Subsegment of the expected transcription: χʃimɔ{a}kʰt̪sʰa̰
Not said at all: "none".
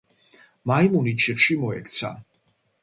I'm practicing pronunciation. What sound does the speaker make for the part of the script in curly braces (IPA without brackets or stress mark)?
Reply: ɛ